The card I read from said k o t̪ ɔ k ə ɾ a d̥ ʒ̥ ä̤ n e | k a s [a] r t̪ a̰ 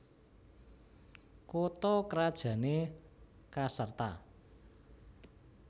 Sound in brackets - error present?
yes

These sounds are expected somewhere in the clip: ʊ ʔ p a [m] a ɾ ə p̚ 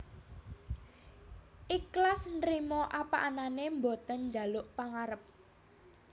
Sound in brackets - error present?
yes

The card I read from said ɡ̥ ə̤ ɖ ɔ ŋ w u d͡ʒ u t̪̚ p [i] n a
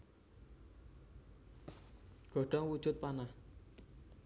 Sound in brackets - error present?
yes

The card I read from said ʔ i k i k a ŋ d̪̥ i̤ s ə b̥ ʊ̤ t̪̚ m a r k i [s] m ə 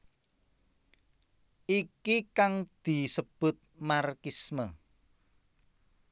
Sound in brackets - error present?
no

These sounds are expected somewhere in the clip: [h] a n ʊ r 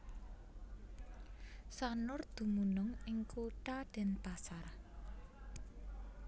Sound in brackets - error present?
yes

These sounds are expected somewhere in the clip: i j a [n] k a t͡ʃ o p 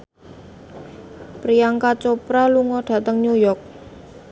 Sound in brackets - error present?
yes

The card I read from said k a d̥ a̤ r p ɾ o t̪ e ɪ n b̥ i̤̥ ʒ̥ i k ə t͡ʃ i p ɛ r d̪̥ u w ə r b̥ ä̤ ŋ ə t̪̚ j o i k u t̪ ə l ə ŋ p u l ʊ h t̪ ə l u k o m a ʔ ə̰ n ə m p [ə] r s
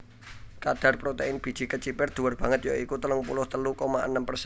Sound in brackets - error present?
no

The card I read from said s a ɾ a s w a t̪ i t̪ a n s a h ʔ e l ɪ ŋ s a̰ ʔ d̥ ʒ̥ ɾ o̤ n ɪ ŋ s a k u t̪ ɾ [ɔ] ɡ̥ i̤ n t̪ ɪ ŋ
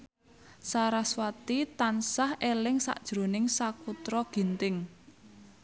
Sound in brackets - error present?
no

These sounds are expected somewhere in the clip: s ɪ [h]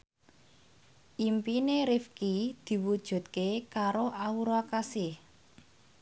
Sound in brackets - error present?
no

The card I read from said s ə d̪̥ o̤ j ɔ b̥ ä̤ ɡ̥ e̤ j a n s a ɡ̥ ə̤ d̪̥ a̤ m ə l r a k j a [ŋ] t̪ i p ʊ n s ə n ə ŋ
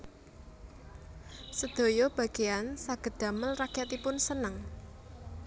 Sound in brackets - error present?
yes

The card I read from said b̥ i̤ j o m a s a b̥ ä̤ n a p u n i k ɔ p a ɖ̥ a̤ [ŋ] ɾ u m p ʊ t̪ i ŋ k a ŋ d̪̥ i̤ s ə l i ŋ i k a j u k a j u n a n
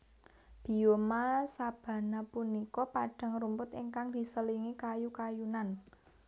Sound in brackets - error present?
no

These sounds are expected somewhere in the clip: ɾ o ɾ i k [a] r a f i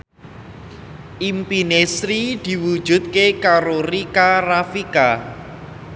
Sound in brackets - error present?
no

